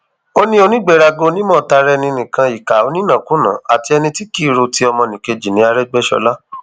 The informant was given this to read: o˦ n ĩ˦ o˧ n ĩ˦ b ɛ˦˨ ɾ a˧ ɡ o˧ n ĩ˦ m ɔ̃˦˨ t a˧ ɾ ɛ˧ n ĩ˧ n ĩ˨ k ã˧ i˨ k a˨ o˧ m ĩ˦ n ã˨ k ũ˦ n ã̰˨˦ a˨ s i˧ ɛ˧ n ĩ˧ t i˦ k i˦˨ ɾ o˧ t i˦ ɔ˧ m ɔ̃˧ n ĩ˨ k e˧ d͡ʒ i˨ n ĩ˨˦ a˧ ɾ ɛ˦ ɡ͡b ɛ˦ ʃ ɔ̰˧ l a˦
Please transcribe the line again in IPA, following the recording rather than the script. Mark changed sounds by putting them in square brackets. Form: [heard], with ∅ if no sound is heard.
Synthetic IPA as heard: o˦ n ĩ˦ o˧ n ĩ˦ [ɡ͡b] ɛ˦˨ ɾ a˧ ɡ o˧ n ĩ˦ m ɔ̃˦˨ t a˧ ɾ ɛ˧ n ĩ˧ n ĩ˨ k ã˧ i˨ k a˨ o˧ [n] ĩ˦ n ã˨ k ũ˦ n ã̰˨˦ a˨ [t] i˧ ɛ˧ n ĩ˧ t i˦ k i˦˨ ɾ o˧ t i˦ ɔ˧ m ɔ̃˧ n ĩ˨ k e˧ d͡ʒ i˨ n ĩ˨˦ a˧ ɾ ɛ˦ ɡ͡b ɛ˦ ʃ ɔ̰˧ l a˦

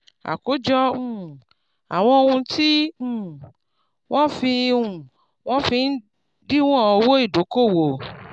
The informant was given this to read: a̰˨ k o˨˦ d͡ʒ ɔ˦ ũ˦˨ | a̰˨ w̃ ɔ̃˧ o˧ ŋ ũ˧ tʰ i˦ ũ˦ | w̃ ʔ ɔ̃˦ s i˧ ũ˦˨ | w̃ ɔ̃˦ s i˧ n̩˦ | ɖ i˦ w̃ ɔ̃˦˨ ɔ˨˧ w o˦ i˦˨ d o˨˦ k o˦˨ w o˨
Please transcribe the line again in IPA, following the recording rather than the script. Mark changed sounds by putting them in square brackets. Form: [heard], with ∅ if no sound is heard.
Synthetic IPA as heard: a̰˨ k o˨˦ d͡ʒ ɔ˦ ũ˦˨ | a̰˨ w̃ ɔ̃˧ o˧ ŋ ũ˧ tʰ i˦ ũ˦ | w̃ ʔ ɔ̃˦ [f] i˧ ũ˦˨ | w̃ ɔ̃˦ [f] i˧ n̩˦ | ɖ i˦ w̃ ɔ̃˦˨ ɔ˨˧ w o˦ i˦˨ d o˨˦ k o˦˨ w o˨

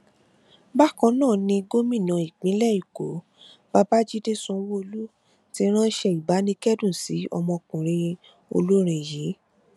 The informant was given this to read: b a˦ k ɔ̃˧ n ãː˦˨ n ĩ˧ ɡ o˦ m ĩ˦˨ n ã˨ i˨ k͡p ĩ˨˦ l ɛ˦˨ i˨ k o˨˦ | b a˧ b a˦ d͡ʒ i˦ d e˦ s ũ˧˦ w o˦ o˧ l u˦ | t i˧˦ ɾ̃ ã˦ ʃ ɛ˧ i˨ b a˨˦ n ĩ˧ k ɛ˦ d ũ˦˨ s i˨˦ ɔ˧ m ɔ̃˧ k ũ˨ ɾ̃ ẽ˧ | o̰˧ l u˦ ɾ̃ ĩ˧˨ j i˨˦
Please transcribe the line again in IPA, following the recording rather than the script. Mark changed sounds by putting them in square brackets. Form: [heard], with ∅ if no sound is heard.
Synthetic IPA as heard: b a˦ k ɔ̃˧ n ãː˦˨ n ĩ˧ ɡ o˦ m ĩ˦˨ n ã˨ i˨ k͡p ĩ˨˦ l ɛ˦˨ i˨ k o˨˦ | b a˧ b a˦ d͡ʒ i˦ d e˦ s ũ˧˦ w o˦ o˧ l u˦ | t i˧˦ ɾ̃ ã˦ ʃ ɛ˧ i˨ b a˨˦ n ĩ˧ k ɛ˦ d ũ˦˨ s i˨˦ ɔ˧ m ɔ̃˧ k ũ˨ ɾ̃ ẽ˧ | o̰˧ l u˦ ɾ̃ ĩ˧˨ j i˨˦

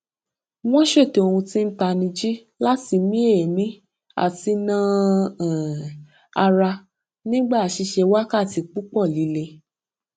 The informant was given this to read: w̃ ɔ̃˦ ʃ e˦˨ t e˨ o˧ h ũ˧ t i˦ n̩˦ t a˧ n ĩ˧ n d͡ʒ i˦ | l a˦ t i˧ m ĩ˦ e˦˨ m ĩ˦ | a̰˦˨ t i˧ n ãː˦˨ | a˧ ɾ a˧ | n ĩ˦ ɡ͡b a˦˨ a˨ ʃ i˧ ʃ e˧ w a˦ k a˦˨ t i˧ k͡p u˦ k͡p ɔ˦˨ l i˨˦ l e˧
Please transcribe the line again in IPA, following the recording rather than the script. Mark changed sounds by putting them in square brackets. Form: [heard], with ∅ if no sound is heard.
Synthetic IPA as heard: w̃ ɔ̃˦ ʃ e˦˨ t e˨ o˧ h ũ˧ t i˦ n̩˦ t a˧ n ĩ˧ [∅] d͡ʒ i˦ | l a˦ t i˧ m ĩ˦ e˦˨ m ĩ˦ | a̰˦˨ t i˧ n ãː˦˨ | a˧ ɾ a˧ | n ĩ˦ ɡ͡b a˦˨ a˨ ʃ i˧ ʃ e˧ w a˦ k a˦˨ t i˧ k͡p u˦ k͡p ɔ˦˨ l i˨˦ l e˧

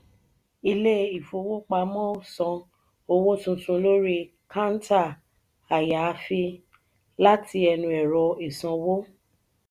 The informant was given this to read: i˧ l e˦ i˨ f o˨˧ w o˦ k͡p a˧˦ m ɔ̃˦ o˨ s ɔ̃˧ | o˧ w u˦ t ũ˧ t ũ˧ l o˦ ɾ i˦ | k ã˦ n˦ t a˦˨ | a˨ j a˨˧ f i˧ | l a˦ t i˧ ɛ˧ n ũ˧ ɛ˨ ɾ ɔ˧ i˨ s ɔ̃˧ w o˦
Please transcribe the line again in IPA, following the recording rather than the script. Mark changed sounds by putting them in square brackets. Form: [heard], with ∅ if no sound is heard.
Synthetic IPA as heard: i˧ l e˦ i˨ f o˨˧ w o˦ k͡p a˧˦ m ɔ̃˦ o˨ s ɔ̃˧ | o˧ w [o˦] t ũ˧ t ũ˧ l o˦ ɾ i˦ | k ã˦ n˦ t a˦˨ | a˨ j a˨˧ f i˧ | l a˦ t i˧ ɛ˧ n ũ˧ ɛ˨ ɾ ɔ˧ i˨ s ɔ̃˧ w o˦

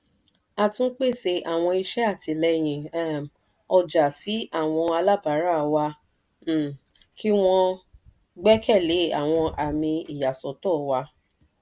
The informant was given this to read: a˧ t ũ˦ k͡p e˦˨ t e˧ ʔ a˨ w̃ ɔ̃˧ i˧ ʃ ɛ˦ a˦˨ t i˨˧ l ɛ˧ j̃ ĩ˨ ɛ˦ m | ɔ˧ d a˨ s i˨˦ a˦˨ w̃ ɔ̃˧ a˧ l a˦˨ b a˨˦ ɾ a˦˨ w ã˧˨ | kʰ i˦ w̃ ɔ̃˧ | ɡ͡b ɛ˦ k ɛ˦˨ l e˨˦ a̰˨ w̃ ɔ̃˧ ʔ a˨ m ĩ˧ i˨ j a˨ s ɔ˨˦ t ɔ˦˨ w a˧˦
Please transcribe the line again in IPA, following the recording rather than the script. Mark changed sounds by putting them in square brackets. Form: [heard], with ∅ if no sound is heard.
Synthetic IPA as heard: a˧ t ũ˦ k͡p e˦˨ [s] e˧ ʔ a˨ w̃ ɔ̃˧ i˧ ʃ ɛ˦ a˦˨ t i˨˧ l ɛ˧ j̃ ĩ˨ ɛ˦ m | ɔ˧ [d͡ʒ] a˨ s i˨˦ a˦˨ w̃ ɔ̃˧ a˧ l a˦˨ b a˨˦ ɾ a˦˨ w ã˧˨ | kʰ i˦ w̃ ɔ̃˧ | ɡ͡b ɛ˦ k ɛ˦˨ l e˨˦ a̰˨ w̃ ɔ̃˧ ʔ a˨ m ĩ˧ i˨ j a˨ s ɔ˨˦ t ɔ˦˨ w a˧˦

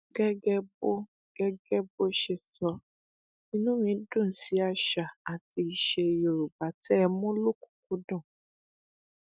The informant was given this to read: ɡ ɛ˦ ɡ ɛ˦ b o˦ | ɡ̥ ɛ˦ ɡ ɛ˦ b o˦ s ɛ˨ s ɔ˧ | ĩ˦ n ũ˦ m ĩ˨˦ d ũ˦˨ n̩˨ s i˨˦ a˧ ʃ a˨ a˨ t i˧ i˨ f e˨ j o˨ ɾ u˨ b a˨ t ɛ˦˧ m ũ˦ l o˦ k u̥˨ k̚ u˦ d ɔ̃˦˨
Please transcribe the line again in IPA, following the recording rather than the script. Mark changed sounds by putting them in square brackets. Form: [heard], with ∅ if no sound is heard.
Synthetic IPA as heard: ɡ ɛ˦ ɡ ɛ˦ b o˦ | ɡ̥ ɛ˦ ɡ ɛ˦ b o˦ [ʃ] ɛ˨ s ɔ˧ | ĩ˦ n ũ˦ m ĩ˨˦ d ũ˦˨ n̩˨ s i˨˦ a˧ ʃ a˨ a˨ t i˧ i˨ [ʃ] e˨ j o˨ ɾ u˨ b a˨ t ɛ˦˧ m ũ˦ l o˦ k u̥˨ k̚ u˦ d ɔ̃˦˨

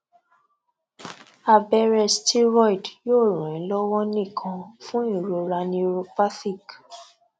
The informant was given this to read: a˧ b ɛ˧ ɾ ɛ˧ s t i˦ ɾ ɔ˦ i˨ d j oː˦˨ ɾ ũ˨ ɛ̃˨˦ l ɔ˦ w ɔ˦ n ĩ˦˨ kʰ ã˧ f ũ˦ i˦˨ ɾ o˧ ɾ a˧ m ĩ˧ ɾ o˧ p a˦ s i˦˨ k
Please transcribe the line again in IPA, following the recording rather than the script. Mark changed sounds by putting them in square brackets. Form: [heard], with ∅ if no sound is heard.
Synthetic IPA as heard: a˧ b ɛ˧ ɾ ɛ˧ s t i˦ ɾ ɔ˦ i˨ d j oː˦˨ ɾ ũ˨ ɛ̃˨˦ l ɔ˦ w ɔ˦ n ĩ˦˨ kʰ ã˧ f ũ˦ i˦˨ ɾ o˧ ɾ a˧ [n] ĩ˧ ɾ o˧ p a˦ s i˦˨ k

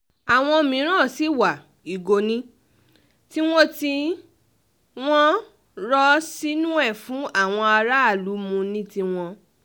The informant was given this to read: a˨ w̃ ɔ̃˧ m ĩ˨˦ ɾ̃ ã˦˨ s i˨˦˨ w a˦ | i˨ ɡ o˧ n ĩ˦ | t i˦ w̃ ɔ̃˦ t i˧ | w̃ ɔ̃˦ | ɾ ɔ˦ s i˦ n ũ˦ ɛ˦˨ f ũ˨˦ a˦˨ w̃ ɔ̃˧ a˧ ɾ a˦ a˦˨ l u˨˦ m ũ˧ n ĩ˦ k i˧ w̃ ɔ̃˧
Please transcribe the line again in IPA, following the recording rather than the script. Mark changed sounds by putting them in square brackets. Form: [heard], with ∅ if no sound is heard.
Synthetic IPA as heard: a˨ w̃ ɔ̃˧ m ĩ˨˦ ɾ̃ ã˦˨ s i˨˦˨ w [a˨] | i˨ ɡ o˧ n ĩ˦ | t i˦ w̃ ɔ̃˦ t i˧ | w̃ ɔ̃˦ | ɾ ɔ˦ s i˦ n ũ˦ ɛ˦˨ f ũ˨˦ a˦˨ w̃ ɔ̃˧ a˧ ɾ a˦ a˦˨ l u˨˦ m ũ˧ n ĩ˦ [t] i˧ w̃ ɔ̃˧

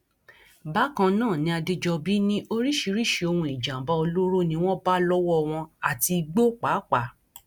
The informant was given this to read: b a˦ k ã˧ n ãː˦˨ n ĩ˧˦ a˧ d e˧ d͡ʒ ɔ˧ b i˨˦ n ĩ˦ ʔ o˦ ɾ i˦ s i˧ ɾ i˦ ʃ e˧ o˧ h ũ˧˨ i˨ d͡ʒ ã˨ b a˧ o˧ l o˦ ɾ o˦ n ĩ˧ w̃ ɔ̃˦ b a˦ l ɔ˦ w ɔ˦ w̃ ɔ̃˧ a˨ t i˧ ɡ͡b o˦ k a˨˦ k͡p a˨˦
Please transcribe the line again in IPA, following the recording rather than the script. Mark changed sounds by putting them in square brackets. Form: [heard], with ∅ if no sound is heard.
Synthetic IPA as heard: b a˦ k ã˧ n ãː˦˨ n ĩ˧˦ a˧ d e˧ d͡ʒ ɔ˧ b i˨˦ n ĩ˦ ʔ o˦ ɾ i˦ [ʃ] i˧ ɾ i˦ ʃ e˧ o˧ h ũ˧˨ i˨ d͡ʒ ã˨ b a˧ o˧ l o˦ ɾ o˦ n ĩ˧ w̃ ɔ̃˦ b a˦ l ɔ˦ w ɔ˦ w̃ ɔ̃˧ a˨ t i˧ ɡ͡b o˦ [k͡p] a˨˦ k͡p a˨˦

